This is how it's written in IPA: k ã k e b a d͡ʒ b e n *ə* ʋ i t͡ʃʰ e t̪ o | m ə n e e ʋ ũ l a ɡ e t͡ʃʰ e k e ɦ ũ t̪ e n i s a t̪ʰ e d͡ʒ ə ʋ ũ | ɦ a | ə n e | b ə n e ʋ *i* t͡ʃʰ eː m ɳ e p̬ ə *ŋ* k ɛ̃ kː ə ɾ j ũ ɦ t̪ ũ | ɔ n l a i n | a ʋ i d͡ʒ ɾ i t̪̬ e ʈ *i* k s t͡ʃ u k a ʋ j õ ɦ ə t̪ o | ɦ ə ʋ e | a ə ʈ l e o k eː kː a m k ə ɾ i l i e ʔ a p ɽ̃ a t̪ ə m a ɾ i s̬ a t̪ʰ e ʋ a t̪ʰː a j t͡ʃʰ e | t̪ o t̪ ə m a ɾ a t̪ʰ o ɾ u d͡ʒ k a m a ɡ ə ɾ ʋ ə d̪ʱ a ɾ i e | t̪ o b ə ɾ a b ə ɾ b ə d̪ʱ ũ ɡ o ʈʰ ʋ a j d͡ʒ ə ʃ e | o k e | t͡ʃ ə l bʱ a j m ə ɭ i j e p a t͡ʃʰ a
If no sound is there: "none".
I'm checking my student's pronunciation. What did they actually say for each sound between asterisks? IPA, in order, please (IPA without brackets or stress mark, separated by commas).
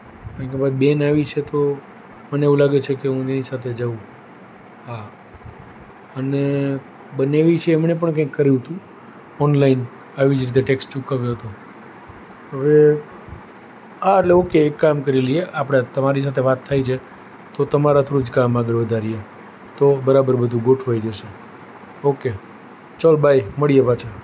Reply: a, i, ɳ, e